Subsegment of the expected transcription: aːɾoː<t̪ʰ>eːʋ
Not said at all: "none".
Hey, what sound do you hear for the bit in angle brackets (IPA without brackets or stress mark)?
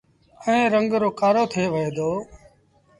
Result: t̪ʰ